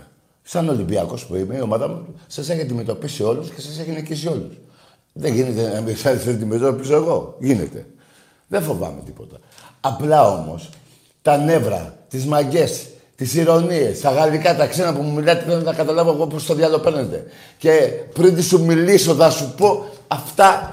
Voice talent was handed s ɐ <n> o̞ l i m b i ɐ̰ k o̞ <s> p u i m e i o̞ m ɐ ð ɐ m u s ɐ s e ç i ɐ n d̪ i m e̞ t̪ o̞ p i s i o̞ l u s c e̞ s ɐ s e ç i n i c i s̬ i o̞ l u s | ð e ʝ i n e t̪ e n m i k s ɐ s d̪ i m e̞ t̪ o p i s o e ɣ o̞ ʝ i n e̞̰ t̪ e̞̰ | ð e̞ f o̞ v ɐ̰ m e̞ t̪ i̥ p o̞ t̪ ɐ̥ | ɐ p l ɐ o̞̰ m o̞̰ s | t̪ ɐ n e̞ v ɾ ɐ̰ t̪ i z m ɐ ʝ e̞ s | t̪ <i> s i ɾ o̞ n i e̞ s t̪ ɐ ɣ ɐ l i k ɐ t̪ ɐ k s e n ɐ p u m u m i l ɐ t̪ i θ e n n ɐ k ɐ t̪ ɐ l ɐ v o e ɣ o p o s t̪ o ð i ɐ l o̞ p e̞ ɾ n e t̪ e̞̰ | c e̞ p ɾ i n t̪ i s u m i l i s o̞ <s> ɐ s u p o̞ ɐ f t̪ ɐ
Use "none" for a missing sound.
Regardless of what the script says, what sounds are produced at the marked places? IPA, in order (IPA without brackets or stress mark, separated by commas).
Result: n, s, i, θ